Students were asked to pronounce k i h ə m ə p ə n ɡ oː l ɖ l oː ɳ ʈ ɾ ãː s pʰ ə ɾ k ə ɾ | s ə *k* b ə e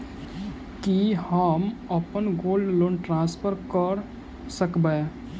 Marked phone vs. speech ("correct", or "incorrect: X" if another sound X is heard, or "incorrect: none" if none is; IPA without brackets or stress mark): correct